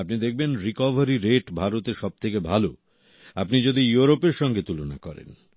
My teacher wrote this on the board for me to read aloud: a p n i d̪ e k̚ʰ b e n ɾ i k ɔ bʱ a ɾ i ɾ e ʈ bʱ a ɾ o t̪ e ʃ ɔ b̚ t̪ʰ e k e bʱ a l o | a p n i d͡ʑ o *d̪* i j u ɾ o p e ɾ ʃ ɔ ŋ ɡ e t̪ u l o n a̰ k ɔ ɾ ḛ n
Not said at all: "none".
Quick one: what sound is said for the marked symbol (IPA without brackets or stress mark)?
d̪